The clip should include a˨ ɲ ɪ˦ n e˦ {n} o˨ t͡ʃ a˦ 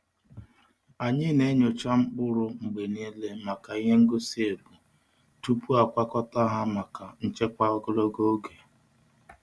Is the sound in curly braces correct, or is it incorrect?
incorrect